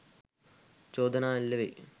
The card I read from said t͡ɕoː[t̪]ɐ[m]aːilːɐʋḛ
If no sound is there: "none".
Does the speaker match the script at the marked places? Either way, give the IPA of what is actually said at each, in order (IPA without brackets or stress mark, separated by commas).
d̪, n